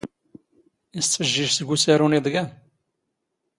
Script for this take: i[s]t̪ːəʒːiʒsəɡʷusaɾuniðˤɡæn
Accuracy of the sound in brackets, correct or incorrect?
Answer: correct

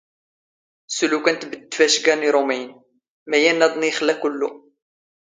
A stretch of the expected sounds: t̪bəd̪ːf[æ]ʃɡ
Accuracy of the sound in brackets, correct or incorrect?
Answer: correct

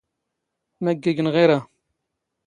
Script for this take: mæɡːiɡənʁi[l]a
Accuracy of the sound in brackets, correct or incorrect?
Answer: incorrect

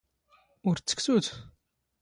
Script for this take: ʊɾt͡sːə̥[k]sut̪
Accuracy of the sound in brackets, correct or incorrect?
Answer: correct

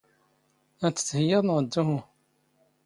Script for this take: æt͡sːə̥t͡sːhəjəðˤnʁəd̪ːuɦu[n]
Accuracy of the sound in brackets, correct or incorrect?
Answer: incorrect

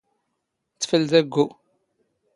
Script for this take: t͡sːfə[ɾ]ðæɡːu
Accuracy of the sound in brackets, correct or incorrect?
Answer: incorrect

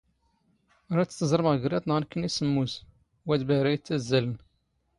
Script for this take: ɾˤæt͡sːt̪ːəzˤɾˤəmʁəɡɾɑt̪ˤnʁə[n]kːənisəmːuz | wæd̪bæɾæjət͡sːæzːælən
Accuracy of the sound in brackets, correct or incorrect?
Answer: correct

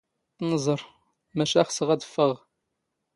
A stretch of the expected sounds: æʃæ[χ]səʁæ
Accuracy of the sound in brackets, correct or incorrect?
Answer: correct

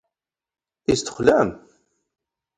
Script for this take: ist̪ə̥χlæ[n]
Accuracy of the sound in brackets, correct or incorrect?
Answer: incorrect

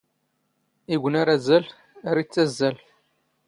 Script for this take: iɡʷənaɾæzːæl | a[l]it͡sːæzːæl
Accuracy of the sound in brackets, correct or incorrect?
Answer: incorrect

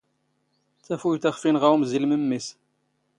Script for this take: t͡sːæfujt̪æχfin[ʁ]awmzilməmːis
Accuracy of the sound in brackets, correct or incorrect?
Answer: correct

